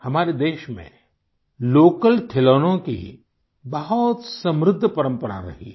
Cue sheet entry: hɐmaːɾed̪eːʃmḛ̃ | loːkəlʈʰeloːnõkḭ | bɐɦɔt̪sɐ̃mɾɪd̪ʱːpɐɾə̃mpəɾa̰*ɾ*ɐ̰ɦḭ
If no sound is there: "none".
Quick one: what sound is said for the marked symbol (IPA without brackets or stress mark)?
ɾ